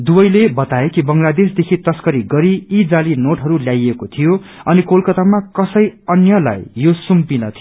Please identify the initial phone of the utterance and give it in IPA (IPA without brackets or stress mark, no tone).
d̪